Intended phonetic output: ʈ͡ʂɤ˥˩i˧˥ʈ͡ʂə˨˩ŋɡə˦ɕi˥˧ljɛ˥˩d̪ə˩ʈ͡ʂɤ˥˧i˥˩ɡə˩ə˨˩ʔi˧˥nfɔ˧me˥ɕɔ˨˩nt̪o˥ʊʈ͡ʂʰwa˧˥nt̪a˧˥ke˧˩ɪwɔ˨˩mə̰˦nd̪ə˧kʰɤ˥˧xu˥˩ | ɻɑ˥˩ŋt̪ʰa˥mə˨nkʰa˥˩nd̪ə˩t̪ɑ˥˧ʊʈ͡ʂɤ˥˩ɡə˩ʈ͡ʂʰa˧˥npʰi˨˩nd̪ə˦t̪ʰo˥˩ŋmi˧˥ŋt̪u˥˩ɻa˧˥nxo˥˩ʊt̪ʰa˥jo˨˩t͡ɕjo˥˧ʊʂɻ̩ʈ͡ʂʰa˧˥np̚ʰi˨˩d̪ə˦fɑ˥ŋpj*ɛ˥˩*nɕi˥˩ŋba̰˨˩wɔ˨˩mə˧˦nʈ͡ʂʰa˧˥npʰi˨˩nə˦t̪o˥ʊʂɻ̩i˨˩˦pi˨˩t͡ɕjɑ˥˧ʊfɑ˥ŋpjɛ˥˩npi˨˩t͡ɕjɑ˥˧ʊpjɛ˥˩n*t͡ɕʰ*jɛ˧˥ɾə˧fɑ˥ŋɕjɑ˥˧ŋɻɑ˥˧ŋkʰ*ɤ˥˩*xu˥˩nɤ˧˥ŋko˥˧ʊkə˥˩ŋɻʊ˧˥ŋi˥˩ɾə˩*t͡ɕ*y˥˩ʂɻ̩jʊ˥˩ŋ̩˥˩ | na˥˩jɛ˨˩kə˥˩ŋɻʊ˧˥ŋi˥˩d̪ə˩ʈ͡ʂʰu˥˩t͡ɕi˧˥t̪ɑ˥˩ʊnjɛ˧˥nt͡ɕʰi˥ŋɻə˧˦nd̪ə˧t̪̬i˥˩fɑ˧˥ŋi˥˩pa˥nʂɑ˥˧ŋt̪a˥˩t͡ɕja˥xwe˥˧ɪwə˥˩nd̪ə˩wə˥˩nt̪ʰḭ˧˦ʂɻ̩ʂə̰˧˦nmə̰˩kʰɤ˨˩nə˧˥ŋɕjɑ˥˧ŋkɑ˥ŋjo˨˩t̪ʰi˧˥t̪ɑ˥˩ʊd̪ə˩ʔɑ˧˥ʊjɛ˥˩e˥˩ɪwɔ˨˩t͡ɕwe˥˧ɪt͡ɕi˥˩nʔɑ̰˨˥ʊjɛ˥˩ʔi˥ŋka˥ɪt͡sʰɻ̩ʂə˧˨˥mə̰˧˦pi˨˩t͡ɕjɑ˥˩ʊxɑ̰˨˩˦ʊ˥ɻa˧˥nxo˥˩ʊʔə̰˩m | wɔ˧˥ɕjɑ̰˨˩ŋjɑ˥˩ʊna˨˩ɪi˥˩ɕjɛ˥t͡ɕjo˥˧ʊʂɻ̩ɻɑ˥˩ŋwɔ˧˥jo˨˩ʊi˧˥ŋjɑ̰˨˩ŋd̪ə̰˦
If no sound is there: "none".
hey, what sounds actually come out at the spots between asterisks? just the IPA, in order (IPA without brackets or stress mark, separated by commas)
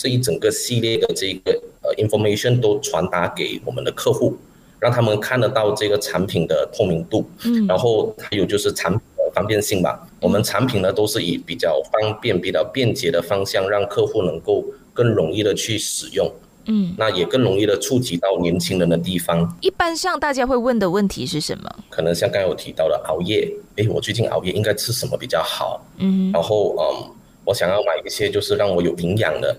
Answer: ɛ˥˧, t͡ɕ, ɤ˥˧, t͡ɕʰ